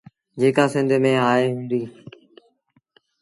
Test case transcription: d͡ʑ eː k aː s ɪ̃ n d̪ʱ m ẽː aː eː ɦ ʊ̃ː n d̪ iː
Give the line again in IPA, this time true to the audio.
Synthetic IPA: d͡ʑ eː k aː s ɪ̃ n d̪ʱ m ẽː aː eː ɦ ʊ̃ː n d̪ iː

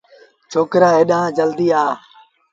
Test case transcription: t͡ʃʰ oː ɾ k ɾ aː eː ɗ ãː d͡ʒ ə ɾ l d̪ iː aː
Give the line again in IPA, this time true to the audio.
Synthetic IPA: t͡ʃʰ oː k ɾ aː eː ɗ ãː d͡ʒ ə l d̪ iː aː

